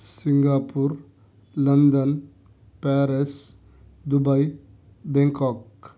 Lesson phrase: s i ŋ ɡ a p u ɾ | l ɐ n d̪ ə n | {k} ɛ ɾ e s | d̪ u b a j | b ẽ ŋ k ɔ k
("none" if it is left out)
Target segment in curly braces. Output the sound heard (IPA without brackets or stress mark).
p